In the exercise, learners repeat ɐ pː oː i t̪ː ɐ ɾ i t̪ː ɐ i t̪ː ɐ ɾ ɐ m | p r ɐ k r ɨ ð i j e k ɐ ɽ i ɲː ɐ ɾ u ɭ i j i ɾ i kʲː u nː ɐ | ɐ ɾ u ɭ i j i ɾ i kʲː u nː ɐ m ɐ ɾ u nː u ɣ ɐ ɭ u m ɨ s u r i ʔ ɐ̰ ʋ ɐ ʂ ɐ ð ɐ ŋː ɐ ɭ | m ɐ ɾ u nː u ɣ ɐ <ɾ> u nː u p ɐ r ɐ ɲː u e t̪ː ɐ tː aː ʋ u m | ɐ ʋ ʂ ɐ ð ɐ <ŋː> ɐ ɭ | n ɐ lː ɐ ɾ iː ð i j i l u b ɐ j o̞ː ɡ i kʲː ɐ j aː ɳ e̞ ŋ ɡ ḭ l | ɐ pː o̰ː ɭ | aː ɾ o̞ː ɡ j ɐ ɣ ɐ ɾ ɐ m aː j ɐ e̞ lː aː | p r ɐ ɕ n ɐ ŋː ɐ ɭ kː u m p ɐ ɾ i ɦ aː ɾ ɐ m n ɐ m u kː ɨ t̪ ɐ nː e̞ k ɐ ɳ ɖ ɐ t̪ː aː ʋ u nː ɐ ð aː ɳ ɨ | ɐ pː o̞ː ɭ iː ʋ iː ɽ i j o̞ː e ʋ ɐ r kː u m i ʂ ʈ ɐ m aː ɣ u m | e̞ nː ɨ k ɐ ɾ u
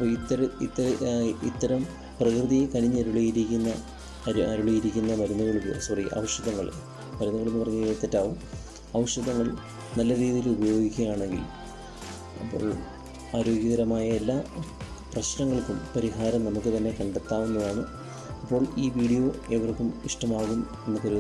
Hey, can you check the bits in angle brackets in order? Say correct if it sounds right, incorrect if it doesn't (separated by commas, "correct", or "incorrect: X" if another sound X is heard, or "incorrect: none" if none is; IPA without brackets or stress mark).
incorrect: ɭ, correct